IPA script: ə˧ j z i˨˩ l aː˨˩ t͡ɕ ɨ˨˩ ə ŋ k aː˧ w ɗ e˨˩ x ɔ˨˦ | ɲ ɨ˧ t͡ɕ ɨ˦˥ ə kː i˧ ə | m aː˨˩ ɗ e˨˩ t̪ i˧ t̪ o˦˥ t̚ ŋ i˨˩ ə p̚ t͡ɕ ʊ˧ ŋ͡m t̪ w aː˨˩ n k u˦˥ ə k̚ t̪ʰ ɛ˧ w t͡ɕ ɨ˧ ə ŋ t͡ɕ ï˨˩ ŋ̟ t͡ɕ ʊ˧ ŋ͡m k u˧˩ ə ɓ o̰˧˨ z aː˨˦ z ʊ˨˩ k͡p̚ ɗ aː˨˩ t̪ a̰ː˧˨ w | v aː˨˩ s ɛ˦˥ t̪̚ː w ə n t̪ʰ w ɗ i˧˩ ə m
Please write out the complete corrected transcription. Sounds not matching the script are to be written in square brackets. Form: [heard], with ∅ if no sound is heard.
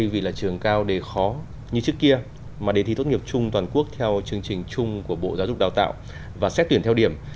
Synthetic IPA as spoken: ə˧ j [v] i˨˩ l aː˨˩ t͡ɕ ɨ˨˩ ə ŋ k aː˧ w ɗ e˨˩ x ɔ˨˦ | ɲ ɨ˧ t͡ɕ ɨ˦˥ ə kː i˧ ə | m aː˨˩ ɗ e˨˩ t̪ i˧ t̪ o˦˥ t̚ ŋ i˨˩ ə p̚ t͡ɕ ʊ˧ ŋ͡m t̪ w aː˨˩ n k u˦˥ ə k̚ t̪ʰ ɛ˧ w t͡ɕ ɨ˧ ə ŋ t͡ɕ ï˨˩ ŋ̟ t͡ɕ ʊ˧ ŋ͡m k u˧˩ ə ɓ o̰˧˨ z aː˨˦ z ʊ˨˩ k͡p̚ ɗ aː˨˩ t̪ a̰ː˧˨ w | v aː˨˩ s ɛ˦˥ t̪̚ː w ə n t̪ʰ w ɗ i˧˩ ə m